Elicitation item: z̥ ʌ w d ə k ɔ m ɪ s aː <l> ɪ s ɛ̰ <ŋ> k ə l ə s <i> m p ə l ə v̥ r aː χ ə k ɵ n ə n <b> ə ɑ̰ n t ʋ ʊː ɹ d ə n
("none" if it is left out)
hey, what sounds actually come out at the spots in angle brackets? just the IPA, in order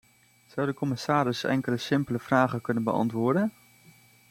ɾ, ŋ, ɪ, b

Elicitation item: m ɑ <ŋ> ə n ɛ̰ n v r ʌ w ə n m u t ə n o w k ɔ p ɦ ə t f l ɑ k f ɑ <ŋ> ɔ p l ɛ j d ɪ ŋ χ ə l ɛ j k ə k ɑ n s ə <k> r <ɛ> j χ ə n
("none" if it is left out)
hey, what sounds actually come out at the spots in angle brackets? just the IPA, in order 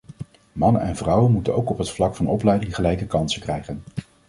n, n, k, ɛ

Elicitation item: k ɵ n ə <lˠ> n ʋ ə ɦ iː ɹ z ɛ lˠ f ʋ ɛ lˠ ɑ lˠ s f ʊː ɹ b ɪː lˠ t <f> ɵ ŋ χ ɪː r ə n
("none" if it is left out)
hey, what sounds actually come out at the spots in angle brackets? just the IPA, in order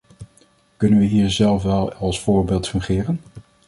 none, f

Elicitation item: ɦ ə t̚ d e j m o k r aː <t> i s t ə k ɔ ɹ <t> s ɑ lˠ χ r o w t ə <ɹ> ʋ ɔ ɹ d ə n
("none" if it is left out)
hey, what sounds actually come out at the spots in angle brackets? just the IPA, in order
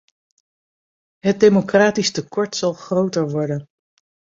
t, t, ɹ

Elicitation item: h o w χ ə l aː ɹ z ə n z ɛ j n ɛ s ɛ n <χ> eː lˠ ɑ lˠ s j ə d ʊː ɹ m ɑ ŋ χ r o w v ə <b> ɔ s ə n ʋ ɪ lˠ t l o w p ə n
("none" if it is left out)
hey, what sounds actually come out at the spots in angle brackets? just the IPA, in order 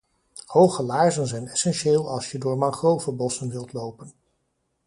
ʃ, b

